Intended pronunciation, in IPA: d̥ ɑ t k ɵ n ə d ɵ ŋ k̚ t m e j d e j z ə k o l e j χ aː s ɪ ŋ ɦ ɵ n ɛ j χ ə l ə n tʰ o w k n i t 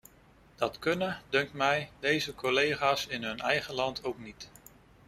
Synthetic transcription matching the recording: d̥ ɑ t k ɵ n ə d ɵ ŋ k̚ t m ɛ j d e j z ə k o l e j χ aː s ɪ n ɦ ɵ n ɛ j χ ə l ɑ n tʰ o w k n i t